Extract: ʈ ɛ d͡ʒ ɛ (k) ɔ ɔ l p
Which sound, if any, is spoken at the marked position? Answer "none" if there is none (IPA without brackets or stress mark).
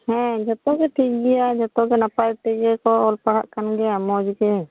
k